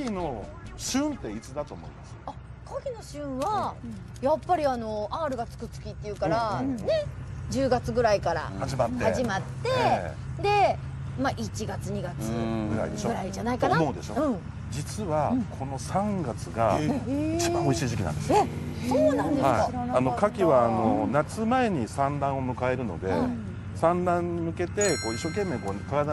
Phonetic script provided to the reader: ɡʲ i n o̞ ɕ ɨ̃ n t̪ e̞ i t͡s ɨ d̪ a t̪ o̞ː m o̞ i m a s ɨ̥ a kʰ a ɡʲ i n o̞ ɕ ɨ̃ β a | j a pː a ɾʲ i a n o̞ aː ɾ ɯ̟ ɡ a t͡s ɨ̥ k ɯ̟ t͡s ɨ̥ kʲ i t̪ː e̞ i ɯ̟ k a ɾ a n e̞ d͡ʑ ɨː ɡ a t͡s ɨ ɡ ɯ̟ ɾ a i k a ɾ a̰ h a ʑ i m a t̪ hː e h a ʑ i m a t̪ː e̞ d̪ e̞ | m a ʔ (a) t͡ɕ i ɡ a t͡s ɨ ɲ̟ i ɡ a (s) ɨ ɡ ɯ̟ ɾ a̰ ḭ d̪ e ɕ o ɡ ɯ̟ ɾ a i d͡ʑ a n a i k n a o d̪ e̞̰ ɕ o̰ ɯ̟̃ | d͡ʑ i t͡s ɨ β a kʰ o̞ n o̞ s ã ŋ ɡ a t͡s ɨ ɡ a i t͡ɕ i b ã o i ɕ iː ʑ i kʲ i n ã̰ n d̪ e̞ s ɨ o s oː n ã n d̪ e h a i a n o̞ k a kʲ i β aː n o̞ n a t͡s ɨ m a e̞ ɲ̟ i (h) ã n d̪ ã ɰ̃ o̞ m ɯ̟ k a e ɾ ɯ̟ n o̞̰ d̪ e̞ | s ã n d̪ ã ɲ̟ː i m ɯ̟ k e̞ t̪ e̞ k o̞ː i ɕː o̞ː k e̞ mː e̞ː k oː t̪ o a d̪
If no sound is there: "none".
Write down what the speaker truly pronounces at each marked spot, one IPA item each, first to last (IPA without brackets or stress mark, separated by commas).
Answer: i, t͡s, s